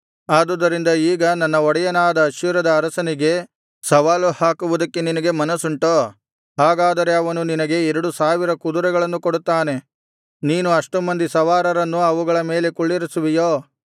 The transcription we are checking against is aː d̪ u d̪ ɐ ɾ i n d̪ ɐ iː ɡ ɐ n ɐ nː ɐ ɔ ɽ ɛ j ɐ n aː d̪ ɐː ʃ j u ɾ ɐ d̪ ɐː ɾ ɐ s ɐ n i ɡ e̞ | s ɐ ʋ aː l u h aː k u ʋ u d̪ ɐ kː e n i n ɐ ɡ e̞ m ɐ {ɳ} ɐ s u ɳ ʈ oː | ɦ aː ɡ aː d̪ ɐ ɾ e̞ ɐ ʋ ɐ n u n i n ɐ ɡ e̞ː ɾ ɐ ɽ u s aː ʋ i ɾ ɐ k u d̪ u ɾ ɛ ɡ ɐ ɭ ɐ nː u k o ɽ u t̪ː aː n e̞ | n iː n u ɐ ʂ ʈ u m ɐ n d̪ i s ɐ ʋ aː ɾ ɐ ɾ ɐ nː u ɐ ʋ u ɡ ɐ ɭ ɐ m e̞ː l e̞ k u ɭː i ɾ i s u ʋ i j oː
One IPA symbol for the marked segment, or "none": n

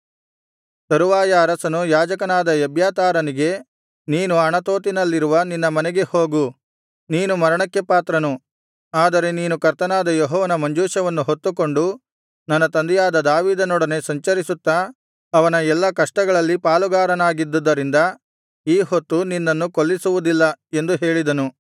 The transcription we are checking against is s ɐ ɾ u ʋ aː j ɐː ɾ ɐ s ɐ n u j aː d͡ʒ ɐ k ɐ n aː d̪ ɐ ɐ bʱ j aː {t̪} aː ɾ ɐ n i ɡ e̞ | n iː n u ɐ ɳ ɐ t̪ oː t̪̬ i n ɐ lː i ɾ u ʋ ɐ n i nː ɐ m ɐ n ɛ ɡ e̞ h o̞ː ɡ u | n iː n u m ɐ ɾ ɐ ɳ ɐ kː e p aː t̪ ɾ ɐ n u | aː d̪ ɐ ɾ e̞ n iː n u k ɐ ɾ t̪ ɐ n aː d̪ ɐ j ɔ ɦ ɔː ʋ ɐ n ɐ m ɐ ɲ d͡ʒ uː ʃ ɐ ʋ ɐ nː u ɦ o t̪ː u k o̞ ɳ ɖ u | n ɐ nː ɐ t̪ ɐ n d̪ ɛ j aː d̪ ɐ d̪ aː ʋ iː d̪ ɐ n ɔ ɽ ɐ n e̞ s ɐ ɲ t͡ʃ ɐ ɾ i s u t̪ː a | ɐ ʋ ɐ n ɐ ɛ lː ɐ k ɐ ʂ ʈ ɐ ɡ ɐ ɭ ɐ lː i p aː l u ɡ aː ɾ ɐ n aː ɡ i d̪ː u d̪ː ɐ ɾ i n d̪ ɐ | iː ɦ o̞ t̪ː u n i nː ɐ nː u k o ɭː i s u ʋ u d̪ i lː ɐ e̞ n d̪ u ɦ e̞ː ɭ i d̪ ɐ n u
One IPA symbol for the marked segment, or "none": t̪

